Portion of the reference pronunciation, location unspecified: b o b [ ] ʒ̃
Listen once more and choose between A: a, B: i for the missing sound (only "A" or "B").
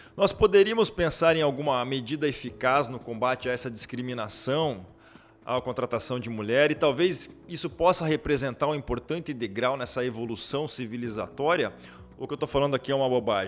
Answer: A